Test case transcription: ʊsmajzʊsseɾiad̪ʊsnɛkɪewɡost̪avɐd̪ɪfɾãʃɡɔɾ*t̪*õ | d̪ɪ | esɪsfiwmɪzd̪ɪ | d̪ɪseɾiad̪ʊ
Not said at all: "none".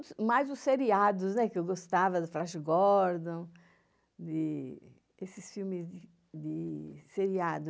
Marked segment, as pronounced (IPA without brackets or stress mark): d̪